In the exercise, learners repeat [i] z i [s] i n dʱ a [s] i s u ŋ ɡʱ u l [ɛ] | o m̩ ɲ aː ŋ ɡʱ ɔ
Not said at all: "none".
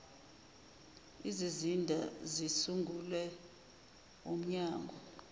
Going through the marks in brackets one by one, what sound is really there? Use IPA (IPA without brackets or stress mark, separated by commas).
i, z, z, ɛ